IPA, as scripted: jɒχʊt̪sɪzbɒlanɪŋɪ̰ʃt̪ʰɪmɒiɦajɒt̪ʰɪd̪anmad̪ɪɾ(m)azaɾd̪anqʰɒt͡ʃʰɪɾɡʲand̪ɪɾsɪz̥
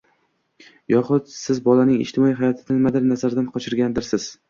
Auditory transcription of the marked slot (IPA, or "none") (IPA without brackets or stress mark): n